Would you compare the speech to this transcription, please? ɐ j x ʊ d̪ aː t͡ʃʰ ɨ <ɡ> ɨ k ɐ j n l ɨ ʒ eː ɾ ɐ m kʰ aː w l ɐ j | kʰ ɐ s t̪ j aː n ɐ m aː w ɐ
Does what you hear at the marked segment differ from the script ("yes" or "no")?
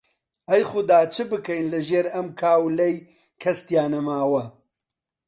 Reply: yes